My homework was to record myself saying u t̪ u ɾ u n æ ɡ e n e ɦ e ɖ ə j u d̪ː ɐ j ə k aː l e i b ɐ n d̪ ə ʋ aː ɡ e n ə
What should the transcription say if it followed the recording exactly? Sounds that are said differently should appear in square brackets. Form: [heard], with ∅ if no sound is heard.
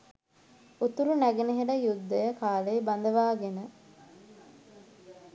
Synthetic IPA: u t̪ u ɾ u n æ ɡ e n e ɦ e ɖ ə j u d̪ː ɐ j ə k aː l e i b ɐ n d̪ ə ʋ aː ɡ e n ə